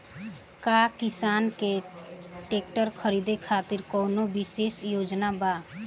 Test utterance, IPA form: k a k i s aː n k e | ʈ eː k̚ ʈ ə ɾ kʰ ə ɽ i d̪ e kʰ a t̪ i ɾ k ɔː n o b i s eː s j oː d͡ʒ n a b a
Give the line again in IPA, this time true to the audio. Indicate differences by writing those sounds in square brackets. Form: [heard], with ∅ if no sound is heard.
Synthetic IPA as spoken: k a k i s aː n k e | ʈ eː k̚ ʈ ə ɾ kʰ ə [ɾ] i d̪ e kʰ a t̪ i ɾ k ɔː n o b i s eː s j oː d͡ʒ n a b a